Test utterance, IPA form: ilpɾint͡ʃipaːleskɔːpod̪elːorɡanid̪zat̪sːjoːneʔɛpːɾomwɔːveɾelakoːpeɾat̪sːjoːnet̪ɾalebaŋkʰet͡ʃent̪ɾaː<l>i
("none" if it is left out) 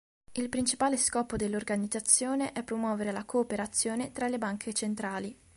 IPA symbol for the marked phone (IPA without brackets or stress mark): l